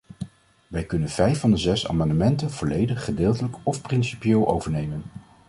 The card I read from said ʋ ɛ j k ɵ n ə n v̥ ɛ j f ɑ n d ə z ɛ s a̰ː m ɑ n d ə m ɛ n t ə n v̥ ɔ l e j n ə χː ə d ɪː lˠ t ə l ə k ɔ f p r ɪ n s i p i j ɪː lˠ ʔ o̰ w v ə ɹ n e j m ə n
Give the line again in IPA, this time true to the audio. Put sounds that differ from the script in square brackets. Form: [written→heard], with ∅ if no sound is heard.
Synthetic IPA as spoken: ʋ ɛ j k ɵ n ə n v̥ ɛ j f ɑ n d ə z ɛ s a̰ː m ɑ n d ə m ɛ n t ə n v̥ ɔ l e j [n→d] ə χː ə d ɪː lˠ t ə l ə k ɔ f p r ɪ n s i p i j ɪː lˠ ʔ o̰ w v ə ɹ n e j m ə n